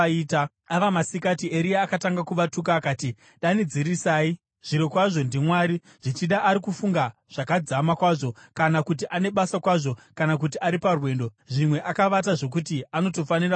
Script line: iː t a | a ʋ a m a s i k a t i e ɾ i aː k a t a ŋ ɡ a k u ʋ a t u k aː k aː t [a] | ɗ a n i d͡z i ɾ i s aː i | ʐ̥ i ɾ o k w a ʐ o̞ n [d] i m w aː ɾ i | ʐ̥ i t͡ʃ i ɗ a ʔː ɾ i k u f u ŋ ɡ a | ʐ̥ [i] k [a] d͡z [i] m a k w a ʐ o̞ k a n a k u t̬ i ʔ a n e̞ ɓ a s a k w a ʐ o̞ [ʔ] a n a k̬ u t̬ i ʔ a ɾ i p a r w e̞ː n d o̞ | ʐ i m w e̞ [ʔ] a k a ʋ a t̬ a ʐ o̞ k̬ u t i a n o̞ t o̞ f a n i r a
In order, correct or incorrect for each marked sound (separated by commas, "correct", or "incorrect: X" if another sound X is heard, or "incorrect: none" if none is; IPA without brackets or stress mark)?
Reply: incorrect: i, correct, incorrect: a, correct, incorrect: a, incorrect: k, correct